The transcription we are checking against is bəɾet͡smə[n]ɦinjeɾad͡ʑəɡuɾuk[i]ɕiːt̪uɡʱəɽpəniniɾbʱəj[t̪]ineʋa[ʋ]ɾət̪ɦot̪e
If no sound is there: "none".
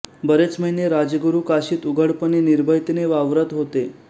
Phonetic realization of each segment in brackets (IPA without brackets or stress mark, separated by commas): none, a, t̪, ʋ